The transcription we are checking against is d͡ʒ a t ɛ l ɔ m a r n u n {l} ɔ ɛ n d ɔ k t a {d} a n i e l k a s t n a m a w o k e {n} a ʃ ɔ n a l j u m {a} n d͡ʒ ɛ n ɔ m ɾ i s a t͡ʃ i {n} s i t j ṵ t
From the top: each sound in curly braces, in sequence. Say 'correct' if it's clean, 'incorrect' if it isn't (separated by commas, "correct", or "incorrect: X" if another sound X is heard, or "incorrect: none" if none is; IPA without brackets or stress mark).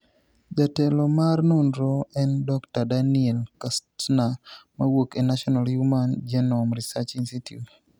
incorrect: ɾ, correct, correct, correct, correct